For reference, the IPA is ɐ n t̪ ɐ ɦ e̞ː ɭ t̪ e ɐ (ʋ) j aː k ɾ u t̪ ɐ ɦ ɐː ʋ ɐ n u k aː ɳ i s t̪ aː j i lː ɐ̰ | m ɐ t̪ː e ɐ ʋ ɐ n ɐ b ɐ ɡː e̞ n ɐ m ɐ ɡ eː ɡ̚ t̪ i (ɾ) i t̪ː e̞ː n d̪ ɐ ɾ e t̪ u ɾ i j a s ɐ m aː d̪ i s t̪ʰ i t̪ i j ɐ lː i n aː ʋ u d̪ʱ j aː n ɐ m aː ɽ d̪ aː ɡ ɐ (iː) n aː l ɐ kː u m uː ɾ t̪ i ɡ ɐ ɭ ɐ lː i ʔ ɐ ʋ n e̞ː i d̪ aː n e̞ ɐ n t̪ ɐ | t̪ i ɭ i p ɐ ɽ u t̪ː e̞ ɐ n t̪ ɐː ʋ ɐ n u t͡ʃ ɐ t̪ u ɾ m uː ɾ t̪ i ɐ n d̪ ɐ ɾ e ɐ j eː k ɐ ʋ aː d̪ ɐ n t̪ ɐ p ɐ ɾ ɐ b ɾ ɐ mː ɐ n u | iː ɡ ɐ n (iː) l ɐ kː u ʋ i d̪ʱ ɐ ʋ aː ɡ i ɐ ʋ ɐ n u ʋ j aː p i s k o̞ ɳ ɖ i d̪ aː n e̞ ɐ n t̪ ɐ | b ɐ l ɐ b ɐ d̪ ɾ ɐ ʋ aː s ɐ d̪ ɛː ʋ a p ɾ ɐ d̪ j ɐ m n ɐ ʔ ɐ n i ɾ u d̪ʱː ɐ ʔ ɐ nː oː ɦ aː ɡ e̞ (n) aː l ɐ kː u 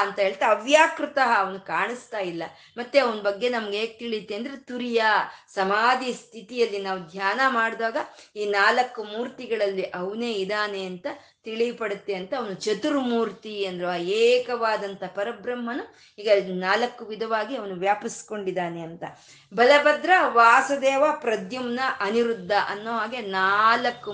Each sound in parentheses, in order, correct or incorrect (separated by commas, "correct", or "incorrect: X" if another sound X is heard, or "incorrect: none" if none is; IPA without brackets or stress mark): correct, incorrect: ɭ, correct, incorrect: aː, correct